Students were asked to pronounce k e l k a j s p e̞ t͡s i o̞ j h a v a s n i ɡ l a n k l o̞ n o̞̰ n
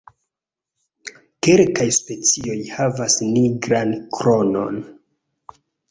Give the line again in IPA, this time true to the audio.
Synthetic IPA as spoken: k e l k a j s p e̞ t͡s i o̞ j h a v a s n i ɡ ɾ a n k ɾ o̞ n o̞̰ n